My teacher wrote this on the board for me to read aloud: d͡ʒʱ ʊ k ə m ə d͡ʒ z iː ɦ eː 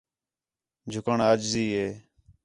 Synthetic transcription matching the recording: d͡ʒʱ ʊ k ə ɳ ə d͡ʒ z iː ɦ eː